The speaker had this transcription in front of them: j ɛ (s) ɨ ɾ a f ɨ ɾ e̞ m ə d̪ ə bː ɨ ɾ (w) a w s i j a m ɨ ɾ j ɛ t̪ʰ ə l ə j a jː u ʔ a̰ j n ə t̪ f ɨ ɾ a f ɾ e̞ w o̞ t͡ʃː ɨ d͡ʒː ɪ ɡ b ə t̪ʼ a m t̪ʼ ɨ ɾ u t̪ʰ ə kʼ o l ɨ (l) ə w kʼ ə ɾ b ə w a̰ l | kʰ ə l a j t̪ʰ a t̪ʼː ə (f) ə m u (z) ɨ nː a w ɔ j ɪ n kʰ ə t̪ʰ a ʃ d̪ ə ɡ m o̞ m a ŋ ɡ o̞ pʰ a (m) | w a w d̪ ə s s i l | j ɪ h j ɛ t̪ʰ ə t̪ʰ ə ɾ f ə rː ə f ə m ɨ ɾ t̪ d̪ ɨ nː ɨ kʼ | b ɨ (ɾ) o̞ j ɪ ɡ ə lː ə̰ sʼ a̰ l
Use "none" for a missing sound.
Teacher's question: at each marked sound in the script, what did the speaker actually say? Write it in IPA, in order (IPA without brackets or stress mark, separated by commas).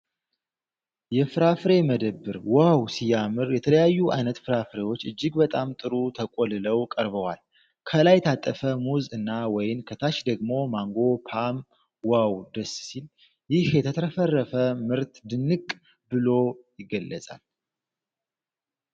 f, w, l, f, z, m, l